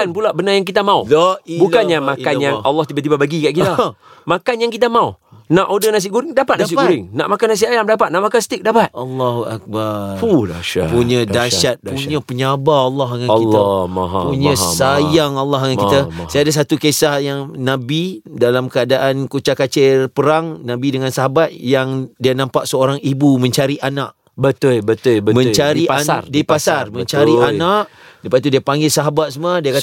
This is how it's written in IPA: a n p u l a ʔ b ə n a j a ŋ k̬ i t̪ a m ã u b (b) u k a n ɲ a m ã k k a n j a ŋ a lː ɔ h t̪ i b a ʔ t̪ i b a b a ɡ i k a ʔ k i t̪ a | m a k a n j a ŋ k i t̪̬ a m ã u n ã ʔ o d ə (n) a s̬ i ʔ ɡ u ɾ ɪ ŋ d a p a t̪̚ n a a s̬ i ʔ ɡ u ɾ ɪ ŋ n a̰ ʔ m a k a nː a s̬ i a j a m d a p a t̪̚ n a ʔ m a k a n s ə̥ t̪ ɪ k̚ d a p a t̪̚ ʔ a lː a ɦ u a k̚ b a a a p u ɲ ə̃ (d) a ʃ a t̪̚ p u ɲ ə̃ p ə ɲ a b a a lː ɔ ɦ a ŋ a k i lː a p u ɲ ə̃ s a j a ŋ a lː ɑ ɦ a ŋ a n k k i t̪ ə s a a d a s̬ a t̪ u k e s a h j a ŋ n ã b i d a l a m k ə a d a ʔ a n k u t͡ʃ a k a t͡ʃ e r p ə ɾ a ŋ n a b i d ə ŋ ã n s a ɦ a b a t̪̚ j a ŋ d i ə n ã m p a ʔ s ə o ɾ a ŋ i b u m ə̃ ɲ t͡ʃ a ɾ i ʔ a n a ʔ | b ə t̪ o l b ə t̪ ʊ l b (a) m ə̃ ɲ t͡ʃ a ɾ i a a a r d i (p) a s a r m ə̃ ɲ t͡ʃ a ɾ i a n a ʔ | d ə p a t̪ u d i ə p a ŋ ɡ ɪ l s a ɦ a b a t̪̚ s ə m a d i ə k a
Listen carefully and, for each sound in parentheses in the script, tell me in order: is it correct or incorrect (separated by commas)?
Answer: correct, correct, correct, incorrect, correct